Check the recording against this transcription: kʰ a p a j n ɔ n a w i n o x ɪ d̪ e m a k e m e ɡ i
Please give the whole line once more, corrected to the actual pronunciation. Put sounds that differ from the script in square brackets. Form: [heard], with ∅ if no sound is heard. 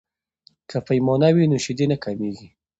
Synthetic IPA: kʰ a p a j [m] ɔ n a w i n o [ʃ] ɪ d̪ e [n] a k [a] m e ɡ i